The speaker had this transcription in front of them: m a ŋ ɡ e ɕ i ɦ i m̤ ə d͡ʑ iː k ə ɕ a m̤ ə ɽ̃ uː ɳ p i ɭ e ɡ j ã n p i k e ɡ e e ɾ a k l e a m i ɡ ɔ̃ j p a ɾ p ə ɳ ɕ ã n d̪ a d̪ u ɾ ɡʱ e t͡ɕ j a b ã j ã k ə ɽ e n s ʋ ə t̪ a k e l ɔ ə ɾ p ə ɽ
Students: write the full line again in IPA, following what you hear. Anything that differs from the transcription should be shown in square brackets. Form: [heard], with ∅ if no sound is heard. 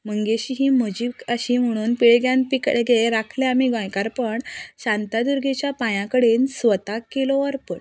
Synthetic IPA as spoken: m [ə] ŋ ɡ e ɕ i ɦ i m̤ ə d͡ʑ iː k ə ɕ [i] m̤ ə ɽ̃ uː [n] p i ɭ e ɡ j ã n p i k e ɡ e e ɾ a [kʰ] l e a m i ɡ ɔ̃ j [k] a ɾ p ə ɳ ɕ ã n [t̪] a d̪ u ɾ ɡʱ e t͡ɕ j a [p] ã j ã k ə ɽ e n s ʋ ə t̪ a k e l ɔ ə ɾ p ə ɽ